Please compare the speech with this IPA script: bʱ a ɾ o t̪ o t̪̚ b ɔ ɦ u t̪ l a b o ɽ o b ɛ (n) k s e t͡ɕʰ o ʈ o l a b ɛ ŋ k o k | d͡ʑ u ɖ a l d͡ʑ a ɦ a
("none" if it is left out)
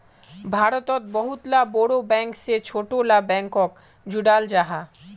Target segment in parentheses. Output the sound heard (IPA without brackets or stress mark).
ŋ